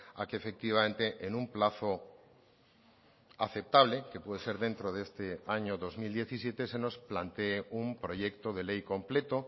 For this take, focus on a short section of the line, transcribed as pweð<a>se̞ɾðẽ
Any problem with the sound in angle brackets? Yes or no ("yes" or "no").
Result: yes